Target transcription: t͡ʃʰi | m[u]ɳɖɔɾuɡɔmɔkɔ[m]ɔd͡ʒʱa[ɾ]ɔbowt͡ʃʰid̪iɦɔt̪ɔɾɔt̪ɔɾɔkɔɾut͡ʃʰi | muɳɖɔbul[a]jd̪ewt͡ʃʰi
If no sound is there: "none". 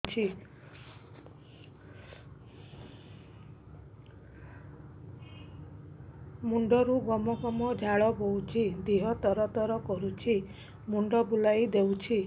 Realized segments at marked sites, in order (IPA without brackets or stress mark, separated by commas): u, m, ɭ, a